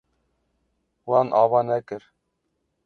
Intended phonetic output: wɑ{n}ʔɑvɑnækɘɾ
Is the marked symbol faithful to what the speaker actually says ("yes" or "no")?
yes